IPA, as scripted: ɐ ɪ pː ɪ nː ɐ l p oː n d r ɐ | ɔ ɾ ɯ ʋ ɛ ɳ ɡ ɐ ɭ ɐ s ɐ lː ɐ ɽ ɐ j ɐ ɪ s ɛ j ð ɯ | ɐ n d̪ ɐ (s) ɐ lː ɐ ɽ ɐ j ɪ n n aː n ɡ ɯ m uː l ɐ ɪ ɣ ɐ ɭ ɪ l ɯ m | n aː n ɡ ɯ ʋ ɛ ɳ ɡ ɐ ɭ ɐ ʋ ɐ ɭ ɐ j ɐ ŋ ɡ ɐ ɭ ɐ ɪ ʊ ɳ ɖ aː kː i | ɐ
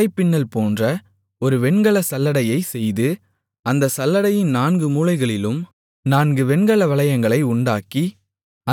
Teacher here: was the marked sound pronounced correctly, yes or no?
yes